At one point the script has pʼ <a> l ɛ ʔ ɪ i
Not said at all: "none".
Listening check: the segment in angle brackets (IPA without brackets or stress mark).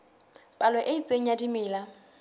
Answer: a